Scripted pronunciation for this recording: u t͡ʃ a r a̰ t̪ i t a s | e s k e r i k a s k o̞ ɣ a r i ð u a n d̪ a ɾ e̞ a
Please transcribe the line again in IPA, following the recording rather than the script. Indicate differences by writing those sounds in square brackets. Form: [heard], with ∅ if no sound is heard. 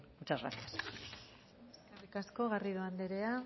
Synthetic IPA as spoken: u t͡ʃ a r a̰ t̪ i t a s | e s k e r i k a s k o̞ ɣ a r i ð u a n d̪ [e] ɾ e̞ a